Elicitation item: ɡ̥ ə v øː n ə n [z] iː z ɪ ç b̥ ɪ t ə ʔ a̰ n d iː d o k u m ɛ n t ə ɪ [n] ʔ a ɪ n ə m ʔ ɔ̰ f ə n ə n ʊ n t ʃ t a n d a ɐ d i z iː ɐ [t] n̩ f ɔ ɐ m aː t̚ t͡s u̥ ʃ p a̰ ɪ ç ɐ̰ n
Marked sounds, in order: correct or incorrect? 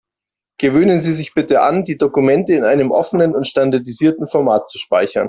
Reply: correct, correct, correct

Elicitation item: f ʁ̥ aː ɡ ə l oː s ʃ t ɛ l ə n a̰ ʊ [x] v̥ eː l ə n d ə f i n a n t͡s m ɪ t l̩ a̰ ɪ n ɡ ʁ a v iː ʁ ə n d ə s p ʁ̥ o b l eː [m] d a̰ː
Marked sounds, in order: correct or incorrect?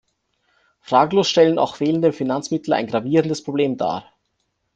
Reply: correct, correct

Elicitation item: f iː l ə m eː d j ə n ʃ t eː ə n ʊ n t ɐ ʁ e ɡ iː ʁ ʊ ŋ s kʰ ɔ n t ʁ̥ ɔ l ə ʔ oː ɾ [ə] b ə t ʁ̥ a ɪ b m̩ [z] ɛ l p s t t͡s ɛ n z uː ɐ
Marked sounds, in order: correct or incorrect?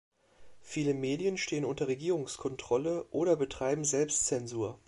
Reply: incorrect, correct

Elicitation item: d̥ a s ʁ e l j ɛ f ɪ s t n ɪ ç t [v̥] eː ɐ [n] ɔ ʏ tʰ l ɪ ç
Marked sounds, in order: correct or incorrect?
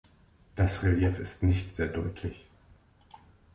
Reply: incorrect, incorrect

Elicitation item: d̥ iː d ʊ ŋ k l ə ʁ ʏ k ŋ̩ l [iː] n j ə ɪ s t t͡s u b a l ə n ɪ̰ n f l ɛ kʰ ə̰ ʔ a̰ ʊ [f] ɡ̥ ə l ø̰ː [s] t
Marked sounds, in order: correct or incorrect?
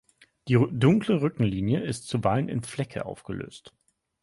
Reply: correct, correct, correct

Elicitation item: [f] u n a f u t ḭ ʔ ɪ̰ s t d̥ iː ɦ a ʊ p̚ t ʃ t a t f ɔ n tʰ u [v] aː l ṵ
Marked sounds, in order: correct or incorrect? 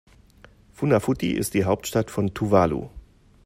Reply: correct, correct

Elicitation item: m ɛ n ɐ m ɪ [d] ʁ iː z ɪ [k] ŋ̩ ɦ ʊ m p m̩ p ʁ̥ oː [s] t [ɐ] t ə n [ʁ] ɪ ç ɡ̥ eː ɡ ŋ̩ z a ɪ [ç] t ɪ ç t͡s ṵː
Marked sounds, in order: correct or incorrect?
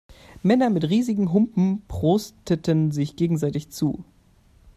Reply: incorrect, incorrect, correct, incorrect, incorrect, incorrect

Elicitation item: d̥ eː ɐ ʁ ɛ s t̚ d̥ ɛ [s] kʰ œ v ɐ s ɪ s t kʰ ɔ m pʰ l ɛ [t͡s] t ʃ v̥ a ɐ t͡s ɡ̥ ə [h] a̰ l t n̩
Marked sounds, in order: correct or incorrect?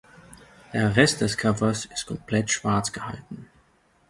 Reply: correct, incorrect, correct

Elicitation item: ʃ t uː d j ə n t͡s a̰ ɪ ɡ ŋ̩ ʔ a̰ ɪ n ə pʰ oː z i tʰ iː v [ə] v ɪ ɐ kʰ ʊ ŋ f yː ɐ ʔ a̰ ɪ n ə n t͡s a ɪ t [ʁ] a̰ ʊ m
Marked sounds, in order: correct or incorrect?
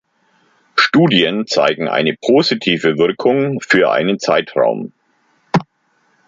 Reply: correct, correct

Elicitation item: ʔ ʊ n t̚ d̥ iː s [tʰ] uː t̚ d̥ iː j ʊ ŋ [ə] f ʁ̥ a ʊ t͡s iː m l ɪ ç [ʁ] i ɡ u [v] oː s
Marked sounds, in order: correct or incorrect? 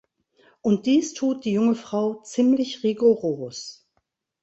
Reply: correct, correct, correct, incorrect

